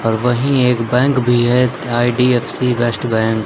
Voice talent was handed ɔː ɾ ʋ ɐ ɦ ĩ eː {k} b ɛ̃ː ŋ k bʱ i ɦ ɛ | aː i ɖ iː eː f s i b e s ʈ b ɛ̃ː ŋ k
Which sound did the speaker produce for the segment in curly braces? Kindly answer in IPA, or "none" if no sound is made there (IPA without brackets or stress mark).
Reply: k